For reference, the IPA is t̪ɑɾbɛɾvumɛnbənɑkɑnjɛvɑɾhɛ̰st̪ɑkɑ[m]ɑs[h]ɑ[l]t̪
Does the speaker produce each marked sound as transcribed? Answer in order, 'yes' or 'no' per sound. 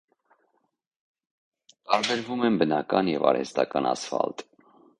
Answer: no, no, yes

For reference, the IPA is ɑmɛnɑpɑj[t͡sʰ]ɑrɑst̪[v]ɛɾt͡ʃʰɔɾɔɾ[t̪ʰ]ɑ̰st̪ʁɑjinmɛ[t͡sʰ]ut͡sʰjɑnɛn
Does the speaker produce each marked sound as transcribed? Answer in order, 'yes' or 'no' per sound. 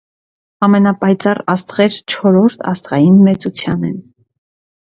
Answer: no, no, yes, no

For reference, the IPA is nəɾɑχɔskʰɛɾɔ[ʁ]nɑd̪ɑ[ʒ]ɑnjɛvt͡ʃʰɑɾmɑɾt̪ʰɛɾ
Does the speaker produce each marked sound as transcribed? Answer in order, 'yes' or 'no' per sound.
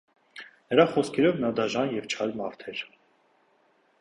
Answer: no, yes

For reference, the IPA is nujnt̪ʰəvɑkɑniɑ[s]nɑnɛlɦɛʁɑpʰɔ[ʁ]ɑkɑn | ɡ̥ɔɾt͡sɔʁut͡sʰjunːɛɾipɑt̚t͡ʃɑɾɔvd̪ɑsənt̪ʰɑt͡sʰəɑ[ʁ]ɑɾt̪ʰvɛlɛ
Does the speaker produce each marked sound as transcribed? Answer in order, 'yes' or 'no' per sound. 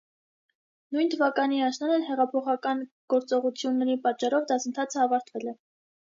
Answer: no, no, no

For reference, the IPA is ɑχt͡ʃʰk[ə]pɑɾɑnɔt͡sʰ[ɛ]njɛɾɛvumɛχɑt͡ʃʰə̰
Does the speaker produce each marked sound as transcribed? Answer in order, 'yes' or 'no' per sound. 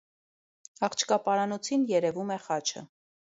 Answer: no, no

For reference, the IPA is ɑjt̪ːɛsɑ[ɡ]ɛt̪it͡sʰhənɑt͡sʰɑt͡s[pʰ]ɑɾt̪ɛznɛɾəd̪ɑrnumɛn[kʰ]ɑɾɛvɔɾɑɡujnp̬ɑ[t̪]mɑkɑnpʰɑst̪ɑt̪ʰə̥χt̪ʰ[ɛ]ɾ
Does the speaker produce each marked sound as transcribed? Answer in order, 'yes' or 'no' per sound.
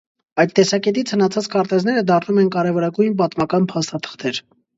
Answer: no, no, no, yes, yes

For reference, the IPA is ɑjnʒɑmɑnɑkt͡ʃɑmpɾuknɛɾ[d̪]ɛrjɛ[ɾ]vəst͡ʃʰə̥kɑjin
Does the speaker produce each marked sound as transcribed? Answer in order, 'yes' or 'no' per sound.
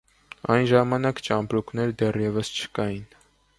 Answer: yes, no

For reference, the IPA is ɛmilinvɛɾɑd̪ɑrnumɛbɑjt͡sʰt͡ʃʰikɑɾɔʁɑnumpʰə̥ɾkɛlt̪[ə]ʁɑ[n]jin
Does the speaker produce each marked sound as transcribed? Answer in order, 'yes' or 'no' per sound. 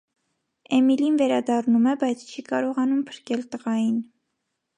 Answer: yes, no

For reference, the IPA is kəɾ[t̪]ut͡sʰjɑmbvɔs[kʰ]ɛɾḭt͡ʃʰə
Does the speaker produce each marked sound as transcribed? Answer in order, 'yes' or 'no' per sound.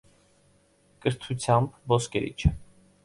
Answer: no, no

